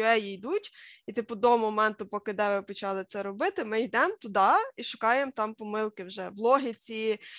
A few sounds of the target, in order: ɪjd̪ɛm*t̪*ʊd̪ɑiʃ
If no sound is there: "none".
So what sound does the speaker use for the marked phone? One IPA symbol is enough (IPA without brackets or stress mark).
t̪